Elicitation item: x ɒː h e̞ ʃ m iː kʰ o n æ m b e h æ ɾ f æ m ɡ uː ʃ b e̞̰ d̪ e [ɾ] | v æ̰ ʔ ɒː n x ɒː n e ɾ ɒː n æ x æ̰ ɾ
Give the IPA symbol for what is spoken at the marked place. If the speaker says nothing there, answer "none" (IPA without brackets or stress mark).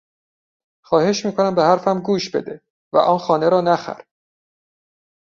none